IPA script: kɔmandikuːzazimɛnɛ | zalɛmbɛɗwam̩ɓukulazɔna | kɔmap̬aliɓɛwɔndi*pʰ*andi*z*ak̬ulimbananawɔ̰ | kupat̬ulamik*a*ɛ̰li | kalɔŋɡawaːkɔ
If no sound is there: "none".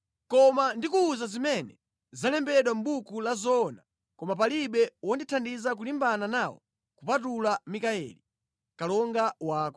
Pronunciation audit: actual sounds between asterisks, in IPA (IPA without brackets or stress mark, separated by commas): tʰ, z, a